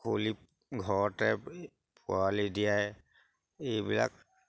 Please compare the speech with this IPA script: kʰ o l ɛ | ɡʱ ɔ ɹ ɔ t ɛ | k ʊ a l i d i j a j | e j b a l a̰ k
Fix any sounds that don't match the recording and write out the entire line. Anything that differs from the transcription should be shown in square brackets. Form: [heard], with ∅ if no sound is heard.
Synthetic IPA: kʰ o l [i] | ɡʱ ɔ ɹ ɔ t ɛ | [p] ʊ a l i d i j a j | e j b [i] l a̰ k